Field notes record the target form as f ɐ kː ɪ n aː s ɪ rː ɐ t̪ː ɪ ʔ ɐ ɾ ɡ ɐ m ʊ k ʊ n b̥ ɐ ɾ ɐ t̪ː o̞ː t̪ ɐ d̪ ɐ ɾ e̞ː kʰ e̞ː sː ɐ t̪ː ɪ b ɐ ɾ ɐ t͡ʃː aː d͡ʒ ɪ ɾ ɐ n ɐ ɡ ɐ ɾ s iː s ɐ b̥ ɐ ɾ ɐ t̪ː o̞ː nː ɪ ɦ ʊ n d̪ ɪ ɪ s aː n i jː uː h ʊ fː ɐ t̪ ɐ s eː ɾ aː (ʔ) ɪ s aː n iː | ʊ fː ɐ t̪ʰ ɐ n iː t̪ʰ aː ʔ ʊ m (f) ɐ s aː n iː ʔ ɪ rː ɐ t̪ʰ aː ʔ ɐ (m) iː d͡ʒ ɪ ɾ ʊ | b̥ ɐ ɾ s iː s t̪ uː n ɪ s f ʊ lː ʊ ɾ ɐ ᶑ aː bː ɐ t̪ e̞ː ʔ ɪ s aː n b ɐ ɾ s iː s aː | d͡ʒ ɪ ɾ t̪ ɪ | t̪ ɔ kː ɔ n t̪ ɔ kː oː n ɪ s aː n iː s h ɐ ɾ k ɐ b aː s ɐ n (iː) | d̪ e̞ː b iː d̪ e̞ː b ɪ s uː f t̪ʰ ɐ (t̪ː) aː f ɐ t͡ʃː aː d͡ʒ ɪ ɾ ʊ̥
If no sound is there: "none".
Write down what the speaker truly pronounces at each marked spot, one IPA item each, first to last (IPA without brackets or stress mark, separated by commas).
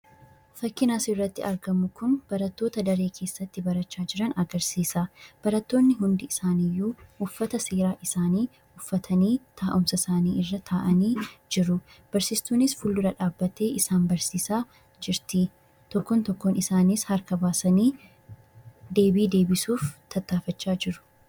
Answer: ʔ, s, n, iː, t̪ː